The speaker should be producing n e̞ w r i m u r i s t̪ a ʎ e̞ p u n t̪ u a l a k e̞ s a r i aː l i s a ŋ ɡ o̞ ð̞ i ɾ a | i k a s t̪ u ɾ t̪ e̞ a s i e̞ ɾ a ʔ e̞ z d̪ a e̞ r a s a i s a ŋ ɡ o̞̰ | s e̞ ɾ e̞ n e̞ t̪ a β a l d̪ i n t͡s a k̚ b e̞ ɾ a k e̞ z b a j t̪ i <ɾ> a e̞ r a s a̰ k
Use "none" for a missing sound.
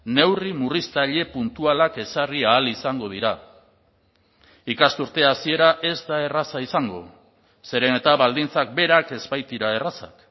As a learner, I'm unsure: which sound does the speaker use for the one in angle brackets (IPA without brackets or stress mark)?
ɾ